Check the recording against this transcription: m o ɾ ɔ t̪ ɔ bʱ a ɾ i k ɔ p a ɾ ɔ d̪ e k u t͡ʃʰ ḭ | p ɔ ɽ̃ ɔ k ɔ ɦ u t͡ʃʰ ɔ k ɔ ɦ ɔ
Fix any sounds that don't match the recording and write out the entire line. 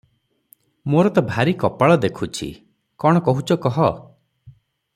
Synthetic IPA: m o ɾ ɔ t̪ ɔ bʱ a ɾ i k ɔ p a ɭ ɔ d̪ e kʰ u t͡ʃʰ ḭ | k ɔ ɽ̃ ɔ k ɔ ɦ u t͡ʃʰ ɔ k ɔ ɦ ɔ